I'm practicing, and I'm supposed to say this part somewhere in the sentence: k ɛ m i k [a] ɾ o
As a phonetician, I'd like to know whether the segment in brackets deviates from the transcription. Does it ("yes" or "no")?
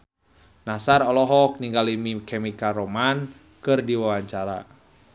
no